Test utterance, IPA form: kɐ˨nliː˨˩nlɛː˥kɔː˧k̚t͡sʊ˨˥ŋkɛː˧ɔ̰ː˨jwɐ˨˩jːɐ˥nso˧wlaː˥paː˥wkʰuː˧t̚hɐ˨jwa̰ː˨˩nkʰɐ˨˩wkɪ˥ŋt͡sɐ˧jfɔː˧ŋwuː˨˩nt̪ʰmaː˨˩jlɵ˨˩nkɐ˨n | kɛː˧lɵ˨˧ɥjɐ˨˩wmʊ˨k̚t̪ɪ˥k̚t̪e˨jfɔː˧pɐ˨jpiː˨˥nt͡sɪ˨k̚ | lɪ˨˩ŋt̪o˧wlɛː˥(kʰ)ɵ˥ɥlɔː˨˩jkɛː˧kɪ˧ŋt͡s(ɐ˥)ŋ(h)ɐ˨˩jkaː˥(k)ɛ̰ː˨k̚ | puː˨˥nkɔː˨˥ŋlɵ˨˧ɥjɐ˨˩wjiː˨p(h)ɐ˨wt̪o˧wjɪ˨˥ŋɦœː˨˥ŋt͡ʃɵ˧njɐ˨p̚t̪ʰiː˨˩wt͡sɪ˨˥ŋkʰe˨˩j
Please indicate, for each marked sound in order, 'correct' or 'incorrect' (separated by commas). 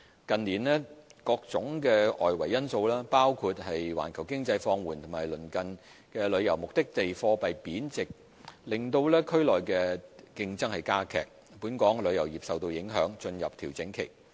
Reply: correct, correct, correct, incorrect, incorrect